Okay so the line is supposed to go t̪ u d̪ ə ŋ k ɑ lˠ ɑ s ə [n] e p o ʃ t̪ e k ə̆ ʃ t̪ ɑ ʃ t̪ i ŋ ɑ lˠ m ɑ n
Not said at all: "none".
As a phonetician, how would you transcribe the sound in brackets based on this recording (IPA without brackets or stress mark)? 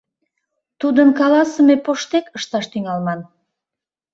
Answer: m